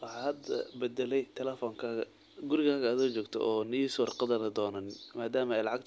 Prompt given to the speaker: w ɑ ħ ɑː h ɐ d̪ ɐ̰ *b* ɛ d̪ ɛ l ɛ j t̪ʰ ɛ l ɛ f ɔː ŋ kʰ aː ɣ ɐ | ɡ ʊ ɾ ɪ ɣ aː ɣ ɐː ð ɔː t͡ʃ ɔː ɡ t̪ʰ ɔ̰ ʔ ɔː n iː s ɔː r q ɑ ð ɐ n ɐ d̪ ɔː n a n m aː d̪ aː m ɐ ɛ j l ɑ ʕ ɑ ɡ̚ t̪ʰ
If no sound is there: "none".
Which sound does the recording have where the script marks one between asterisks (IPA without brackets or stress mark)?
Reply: b